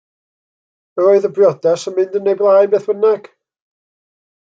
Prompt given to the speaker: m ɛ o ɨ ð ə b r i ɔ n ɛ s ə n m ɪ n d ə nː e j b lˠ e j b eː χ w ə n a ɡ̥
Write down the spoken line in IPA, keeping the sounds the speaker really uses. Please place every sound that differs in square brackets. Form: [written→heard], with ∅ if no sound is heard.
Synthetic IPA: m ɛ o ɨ ð ə b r [i→j] ɔ [n→d] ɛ s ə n m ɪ n d ə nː e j b lˠ [e→a] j b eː [χ→θ] w ə n a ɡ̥